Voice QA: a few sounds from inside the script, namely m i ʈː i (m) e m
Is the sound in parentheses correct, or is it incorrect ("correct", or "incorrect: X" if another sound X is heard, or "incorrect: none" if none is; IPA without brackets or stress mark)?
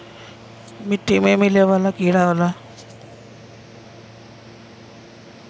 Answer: correct